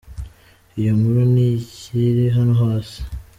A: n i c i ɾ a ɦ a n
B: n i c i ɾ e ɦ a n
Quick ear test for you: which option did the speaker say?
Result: B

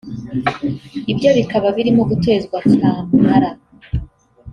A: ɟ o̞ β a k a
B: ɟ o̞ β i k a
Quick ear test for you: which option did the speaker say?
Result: B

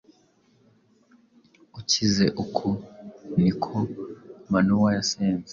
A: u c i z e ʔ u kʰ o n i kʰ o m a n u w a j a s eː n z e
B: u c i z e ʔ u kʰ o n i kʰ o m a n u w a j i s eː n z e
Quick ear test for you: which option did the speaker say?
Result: A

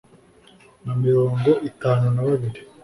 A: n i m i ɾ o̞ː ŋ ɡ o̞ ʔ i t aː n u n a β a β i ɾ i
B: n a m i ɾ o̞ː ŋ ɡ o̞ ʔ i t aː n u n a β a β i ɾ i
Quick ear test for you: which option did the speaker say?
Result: B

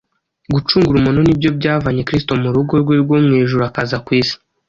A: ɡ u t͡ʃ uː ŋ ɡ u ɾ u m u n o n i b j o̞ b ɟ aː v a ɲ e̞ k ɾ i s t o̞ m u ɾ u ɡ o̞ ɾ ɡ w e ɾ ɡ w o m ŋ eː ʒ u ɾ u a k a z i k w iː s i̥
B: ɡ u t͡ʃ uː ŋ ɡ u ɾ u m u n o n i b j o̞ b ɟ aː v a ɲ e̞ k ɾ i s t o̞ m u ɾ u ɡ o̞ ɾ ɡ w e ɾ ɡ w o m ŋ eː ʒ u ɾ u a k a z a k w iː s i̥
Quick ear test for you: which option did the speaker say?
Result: B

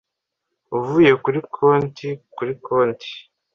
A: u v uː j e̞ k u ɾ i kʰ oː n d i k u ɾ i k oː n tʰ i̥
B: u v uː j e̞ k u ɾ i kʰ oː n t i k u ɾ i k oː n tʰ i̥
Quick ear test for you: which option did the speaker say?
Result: B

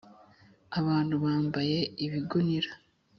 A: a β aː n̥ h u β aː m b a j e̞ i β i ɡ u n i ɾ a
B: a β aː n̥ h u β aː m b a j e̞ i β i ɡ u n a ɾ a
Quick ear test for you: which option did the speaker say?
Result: A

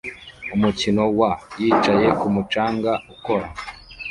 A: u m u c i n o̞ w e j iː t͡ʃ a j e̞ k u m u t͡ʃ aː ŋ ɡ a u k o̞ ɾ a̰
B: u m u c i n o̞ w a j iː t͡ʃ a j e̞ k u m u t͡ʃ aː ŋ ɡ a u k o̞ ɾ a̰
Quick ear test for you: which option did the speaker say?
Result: B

